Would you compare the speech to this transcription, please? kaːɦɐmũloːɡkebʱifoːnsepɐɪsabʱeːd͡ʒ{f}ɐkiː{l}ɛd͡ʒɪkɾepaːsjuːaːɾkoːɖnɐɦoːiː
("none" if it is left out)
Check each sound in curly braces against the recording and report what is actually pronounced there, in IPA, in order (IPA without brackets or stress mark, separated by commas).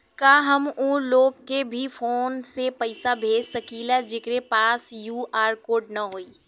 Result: s, l